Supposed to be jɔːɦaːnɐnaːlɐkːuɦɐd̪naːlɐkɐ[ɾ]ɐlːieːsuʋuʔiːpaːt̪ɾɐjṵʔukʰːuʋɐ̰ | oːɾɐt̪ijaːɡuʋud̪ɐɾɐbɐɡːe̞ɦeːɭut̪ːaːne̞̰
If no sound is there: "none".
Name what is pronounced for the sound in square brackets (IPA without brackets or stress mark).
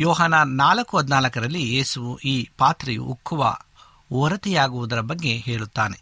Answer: ɾ